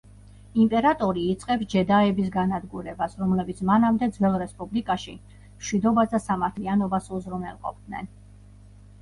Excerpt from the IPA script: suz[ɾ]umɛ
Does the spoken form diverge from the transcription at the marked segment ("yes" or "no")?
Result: no